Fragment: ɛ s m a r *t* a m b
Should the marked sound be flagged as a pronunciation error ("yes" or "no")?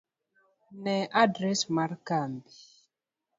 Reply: yes